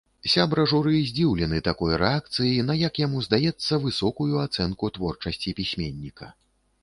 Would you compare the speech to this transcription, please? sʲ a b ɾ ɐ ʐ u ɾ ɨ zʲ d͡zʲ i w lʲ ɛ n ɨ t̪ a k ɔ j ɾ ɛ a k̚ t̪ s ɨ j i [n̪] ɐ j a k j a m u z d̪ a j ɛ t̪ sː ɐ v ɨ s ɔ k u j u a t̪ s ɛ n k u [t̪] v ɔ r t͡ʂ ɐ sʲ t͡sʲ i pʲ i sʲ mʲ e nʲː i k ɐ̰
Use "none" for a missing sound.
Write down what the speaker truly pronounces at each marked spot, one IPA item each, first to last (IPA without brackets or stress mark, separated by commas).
n̪, t̪